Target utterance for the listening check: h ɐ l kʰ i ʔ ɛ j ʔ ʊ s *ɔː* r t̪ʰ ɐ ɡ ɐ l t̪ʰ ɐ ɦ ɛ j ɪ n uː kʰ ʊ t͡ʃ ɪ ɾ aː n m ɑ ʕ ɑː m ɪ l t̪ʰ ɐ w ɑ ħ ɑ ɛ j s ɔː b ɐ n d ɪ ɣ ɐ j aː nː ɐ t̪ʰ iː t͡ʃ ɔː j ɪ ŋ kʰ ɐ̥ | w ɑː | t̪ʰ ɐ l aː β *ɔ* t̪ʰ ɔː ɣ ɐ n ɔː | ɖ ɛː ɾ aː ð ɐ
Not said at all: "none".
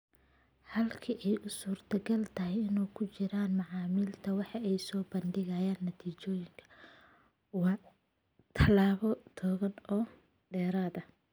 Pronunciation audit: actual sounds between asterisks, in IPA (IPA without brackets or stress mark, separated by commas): uː, ɔ